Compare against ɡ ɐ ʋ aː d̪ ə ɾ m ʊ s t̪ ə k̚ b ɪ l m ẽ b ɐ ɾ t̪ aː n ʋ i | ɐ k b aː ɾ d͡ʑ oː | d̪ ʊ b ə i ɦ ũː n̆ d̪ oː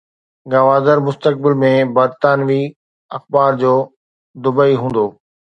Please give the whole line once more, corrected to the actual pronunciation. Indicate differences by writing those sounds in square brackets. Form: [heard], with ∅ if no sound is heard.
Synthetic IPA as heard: ɡ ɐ ʋ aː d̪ ə ɾ m ʊ s t̪ ə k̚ b ɪ l m ẽ b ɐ ɾ t̪ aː n ʋ i | ɐ [x] b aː ɾ d͡ʑ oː | d̪ ʊ b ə i ɦ ũː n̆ d̪ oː